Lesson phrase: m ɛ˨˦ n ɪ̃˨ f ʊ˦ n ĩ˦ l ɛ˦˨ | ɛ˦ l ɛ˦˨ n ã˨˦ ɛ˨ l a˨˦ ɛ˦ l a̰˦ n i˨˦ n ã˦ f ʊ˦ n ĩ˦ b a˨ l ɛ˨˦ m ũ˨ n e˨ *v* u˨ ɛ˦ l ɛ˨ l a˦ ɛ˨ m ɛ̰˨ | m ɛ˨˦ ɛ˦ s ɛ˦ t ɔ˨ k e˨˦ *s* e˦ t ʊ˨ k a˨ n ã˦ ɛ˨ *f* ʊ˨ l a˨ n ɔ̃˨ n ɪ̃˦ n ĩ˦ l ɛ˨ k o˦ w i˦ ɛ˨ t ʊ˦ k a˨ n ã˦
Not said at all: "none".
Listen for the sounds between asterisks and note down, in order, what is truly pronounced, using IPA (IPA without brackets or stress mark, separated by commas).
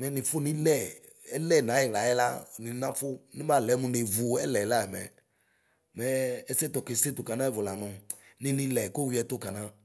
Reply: v, s, v